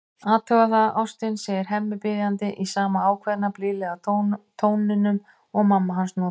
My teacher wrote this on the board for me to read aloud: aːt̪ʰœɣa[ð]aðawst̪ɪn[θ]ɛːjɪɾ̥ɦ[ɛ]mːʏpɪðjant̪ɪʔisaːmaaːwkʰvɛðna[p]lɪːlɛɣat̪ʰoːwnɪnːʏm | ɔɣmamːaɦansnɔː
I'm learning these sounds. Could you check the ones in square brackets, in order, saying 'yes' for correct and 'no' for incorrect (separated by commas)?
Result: no, no, yes, yes